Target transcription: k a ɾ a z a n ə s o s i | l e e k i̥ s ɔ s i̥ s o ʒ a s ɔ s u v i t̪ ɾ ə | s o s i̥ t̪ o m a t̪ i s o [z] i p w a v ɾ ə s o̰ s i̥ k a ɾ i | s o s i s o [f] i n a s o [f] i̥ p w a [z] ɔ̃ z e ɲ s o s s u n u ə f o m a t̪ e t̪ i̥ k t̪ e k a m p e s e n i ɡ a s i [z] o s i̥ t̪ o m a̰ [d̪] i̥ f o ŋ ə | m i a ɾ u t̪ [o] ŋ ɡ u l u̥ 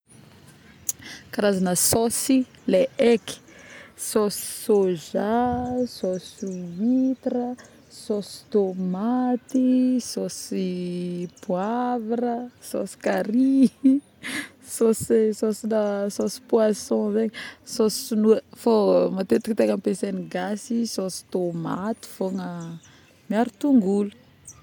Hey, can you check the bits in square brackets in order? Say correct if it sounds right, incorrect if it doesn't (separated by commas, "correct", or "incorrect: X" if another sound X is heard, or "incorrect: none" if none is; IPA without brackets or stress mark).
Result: incorrect: s, incorrect: s, incorrect: s, incorrect: s, incorrect: s, incorrect: t̪, incorrect: u